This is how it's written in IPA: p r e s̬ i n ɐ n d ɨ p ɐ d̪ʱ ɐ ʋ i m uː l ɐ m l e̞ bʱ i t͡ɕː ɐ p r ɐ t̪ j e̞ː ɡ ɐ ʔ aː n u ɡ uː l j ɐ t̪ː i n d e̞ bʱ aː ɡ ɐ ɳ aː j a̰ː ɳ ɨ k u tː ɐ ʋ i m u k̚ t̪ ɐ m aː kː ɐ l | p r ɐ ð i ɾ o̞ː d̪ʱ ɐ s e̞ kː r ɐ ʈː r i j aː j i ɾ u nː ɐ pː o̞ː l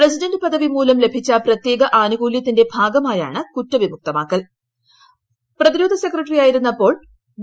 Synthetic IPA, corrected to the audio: p r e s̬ i d ɐ n d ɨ p ɐ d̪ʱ ɐ ʋ i m uː l ɐ m l e̞ bʱ i t͡ɕː ɐ p r ɐ t̪ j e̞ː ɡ ɐ ʔ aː n u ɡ uː l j ɐ t̪ː i n d e̞ bʱ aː ɡ ɐ m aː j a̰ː ɳ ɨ k u tː ɐ ʋ i m u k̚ t̪ ɐ m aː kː ɐ l | p r ɐ ð i ɾ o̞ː d̪ʱ ɐ s e̞ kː r ɐ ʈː r i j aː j i ɾ u nː ɐ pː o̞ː ɭ

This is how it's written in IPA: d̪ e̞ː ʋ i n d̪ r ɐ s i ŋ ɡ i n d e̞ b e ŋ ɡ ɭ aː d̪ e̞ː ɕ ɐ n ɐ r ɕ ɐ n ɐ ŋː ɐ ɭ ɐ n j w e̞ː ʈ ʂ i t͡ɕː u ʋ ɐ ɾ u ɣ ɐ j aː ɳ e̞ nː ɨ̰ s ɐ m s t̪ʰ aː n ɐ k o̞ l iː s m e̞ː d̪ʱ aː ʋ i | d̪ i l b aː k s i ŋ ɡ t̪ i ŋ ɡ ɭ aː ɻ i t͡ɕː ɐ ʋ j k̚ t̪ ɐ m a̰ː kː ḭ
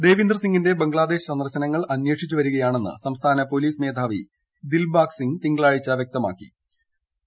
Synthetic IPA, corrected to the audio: d̪ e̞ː ʋ i n d̪ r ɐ s i ŋ ɡ i n d e̞ b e ŋ ɡ ɭ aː d̪ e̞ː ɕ ɐ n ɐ r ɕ ɐ n ɐ ŋː ɐ ɭ ɐ n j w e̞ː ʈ ʂ i t͡ɕː u ʋ ɐ ɾ u ɣ ɐ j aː ɳ e̞ nː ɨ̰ s ɐ m s t̪ʰ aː n ɐ p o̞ l iː s m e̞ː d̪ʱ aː ʋ i | d̪ i l b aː k s i ŋ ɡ t̪ i ŋ ɡ ɭ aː ɻ i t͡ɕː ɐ ʋ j k̚ t̪ ɐ m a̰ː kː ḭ

